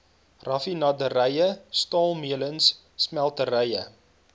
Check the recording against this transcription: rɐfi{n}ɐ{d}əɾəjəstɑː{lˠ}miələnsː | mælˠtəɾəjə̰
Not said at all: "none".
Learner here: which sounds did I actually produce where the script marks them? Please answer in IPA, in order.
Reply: n, d, lˠ

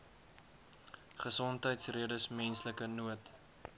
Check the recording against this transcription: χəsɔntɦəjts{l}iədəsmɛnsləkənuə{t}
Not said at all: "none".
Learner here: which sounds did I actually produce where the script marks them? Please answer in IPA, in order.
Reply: r, t

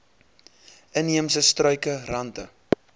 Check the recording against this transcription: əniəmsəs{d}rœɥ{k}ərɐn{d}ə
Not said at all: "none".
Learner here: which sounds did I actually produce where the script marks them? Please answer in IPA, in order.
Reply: t, k, t

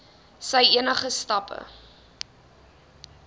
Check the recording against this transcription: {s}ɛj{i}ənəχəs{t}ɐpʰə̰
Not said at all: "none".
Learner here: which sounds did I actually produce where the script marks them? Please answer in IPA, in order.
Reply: s, i, t

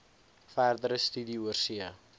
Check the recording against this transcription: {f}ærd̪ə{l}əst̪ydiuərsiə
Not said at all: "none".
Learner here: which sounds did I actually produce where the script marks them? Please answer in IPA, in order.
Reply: f, ɾ

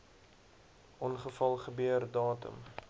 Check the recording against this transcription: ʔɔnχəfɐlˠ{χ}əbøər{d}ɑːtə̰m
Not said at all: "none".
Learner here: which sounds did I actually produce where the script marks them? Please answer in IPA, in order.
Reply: χ, d

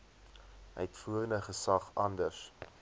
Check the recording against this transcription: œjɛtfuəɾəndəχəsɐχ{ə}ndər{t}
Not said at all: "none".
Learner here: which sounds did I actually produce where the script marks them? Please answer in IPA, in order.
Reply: ɐ, s

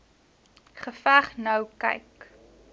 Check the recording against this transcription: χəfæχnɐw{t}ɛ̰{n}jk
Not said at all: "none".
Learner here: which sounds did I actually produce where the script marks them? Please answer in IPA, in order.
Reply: k, none

